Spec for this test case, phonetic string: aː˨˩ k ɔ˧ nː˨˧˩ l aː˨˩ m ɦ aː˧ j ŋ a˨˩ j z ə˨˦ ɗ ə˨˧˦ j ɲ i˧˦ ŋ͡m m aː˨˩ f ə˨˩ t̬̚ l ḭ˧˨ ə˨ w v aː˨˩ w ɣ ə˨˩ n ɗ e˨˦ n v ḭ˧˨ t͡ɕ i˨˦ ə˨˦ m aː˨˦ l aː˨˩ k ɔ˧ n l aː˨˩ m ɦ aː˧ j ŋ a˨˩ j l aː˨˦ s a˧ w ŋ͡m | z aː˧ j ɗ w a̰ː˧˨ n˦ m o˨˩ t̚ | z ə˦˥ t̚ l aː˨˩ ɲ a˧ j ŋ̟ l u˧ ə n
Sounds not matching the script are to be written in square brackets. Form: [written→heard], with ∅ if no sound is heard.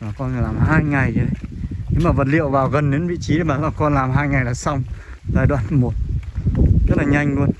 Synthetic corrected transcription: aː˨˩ k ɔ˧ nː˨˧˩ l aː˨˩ m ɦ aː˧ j ŋ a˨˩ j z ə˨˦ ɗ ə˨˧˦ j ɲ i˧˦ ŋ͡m m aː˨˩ [f→v] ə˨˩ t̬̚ l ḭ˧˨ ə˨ w v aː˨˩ w ɣ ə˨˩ n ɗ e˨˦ n v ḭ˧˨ t͡ɕ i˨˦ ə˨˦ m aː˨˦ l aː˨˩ k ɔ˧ n l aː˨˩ m ɦ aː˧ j ŋ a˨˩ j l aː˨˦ s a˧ w ŋ͡m | z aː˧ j ɗ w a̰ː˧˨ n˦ m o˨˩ t̚ | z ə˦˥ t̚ l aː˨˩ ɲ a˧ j ŋ̟ l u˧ ə n